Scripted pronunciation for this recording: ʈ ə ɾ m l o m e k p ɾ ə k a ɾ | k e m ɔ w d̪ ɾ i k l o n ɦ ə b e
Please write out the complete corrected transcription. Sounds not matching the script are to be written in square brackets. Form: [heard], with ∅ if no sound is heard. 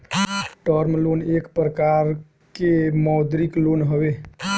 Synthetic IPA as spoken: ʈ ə ɾ m l o [n] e k p ɾ ə k a ɾ | k e m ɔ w d̪ ɾ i k l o n ɦ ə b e